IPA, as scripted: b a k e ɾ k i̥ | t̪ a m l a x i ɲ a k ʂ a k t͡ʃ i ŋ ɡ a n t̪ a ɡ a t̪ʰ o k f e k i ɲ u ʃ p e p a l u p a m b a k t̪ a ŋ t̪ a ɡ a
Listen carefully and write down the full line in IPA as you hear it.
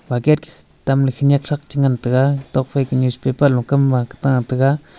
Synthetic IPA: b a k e ɾ k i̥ | t̪ a m l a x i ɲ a k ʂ a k t͡ʃ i ŋ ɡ a n t̪ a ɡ a t̪ o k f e k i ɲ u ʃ p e p a l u k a m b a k t̪ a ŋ t̪ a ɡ a